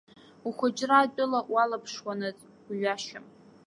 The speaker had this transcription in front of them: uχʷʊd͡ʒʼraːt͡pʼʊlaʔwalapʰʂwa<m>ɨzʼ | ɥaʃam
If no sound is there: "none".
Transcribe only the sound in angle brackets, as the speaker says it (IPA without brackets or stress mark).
n